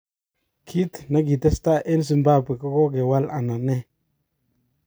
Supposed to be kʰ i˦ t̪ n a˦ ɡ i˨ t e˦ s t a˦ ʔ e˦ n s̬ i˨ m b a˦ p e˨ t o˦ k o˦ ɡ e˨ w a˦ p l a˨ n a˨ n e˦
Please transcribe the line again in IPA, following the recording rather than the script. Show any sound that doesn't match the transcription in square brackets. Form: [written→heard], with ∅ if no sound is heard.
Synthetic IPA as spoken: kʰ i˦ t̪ n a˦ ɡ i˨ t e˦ s t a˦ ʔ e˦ n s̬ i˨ m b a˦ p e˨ [t→k] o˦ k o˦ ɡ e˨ w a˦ [p→∅] l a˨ n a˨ n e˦